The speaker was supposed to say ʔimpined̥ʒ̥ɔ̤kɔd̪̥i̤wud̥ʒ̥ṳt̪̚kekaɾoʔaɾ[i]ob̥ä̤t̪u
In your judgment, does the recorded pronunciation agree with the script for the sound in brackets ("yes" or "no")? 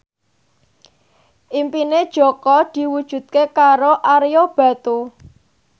no